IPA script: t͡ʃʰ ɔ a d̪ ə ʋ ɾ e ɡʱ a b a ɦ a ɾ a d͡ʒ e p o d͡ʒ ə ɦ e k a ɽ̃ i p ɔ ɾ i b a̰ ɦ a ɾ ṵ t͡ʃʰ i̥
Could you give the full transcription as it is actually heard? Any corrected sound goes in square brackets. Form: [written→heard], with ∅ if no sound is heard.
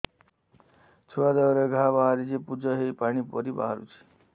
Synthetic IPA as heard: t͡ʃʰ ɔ a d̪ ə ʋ ɾ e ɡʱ a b a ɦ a ɾ [a→i] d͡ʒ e p [o→u] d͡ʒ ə ɦ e [k→p] a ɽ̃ i p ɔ ɾ i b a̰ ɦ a ɾ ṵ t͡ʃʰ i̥